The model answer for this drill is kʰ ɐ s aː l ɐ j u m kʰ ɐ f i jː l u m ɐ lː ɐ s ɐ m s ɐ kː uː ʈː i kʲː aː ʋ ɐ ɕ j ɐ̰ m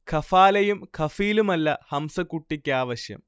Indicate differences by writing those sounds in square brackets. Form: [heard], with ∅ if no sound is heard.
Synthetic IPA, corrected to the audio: kʰ ɐ [f] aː l ɐ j u m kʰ ɐ f i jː l u m ɐ lː ɐ [h] ɐ m s ɐ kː [u] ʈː i kʲː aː ʋ ɐ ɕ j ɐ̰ m

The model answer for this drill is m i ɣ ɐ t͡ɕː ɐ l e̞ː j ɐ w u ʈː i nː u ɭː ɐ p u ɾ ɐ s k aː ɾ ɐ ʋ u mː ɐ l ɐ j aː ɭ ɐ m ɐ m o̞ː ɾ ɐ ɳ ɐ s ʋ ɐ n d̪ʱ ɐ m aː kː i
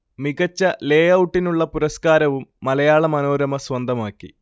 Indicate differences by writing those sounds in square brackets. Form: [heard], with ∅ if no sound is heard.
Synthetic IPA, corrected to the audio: m i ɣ ɐ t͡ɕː ɐ l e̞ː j ɐ w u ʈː i [n] u ɭː ɐ p u ɾ ɐ s k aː ɾ ɐ ʋ u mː ɐ l ɐ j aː ɭ ɐ m ɐ [n] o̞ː ɾ ɐ [m] ɐ s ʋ ɐ n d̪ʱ ɐ m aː kː i

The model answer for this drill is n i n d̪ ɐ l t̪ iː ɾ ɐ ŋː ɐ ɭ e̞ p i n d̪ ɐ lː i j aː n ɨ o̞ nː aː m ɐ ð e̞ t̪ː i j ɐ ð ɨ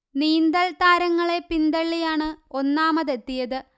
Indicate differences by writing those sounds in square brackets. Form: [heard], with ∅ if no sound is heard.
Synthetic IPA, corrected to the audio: n [iː] n d̪ ɐ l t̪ [aː] ɾ ɐ ŋː ɐ ɭ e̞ p i n d̪ ɐ [ɭː] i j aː [ɳ] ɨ o̞ nː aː m ɐ ð e̞ t̪ː i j ɐ ð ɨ

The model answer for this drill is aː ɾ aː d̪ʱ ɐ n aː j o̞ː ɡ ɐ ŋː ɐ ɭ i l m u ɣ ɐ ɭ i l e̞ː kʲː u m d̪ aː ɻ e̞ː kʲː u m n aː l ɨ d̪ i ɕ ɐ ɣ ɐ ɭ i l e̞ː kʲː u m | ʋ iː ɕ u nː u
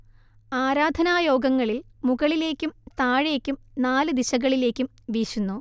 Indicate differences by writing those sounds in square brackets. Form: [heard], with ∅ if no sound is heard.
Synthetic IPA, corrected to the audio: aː ɾ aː d̪ʱ ɐ n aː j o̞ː ɡ ɐ ŋː ɐ ɭ i l m u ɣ ɐ ɭ i l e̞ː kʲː u m [t̪] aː ɻ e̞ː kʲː u m n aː l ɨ d̪ i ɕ ɐ ɣ ɐ ɭ i l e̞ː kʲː u m | ʋ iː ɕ u nː u

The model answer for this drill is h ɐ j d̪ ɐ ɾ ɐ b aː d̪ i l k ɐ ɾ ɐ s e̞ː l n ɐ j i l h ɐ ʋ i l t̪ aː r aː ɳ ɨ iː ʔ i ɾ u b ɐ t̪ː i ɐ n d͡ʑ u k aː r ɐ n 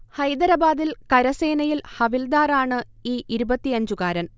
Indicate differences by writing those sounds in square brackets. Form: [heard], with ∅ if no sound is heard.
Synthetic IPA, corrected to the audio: h ɐ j d̪ ɐ ɾ ɐ b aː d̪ i l k ɐ ɾ ɐ s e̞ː [∅] n ɐ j i l h ɐ ʋ i l [d̪] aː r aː ɳ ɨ iː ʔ i ɾ u b ɐ t̪ː i ɐ [ɲ] d͡ʑ u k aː [ɾ] ɐ n

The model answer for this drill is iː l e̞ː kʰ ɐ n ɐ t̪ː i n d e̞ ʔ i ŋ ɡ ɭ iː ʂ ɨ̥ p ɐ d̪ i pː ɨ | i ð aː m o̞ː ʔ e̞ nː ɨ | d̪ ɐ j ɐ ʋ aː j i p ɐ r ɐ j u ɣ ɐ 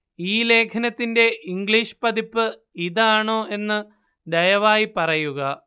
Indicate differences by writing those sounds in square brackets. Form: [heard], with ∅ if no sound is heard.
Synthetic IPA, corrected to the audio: iː l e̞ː kʰ ɐ n ɐ t̪ː i n d e̞ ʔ i ŋ ɡ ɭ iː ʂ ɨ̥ p ɐ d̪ i pː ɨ | i ð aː [ɳ] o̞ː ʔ e̞ nː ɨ | d̪ ɐ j ɐ ʋ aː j i p ɐ r ɐ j u ɣ ɐ

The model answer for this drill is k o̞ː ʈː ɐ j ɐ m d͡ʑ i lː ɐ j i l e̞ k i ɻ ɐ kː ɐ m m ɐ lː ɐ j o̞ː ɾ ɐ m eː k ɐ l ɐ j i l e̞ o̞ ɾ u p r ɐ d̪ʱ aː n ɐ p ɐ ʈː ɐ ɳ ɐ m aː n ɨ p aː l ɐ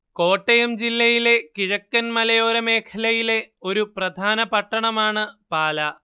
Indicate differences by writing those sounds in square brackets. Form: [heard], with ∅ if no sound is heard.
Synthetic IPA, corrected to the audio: k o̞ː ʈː ɐ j ɐ m d͡ʑ i lː ɐ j i l e̞ k i ɻ ɐ kː ɐ [n] m ɐ [l] ɐ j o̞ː ɾ ɐ m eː [kʰ] ɐ l ɐ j i l e̞ o̞ ɾ u p r ɐ d̪ʱ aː n ɐ p ɐ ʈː ɐ ɳ ɐ m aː [ɳ] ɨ p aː l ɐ

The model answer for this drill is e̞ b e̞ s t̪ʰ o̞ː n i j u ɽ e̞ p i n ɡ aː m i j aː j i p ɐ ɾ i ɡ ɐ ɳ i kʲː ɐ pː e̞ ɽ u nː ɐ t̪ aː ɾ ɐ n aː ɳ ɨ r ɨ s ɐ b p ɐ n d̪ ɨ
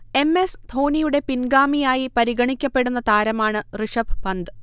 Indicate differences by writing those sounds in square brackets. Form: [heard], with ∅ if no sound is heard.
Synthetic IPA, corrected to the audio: e̞ [m] e̞ s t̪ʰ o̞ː n i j u ɽ e̞ p i n ɡ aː m i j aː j i p ɐ ɾ i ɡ ɐ ɳ i kʲː ɐ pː e̞ ɽ u nː ɐ t̪ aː ɾ ɐ [m] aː ɳ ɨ r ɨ [ʂ] ɐ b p ɐ n d̪ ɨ

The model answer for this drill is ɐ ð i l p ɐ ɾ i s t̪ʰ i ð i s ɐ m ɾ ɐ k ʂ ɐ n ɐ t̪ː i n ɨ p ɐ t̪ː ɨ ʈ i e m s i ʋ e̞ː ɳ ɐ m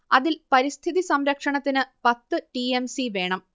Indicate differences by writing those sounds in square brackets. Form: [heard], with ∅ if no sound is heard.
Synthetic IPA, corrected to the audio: ɐ ð i l p ɐ ɾ i s t̪ʰ i ð i s ɐ m ɾ ɐ k ʂ ɐ [ɳ] ɐ t̪ː i n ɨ p ɐ t̪ː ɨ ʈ i e m s i ʋ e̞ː ɳ ɐ m

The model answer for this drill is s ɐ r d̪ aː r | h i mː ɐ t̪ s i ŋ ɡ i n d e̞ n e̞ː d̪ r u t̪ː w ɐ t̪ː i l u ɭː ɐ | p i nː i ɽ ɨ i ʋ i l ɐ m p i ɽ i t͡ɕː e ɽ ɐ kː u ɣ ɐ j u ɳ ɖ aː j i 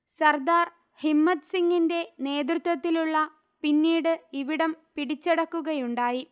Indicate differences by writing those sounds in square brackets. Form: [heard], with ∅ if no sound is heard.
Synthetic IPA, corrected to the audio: s ɐ r d̪ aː r | h i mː ɐ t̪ s i ŋ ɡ i n d e̞ n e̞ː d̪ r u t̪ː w ɐ t̪ː i l u ɭː ɐ | p i nː [iː] ɽ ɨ i ʋ i [ɽ] ɐ m p i ɽ i t͡ɕː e ɽ ɐ kː u ɣ ɐ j u ɳ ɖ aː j i

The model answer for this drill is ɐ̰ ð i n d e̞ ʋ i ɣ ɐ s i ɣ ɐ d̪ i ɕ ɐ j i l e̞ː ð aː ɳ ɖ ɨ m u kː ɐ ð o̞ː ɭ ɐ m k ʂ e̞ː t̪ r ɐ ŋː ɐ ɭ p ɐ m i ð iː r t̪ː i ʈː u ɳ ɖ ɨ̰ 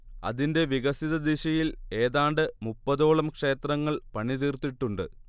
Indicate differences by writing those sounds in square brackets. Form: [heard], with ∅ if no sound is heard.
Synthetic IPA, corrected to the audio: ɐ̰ ð i n d e̞ ʋ i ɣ ɐ s i [ð] ɐ d̪ i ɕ ɐ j i l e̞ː ð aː ɳ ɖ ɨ m u [pː] ɐ ð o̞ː ɭ ɐ m k ʂ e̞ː t̪ r ɐ ŋː ɐ ɭ p ɐ [ɳ] i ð iː r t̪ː i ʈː u ɳ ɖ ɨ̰

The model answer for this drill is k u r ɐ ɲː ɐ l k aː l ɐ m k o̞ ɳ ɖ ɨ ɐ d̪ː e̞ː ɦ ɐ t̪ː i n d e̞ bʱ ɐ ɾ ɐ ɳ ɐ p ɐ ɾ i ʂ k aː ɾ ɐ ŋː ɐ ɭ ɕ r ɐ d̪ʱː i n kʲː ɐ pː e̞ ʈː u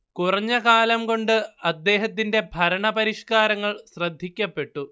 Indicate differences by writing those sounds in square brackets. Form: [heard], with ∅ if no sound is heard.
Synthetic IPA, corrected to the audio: k u r ɐ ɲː ɐ [∅] k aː l ɐ m k o̞ ɳ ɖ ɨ ɐ d̪ː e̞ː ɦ ɐ t̪ː i n d e̞ bʱ ɐ ɾ ɐ ɳ ɐ p ɐ ɾ i ʂ k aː ɾ ɐ ŋː ɐ ɭ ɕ r ɐ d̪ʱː i [∅] kʲː ɐ pː e̞ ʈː u

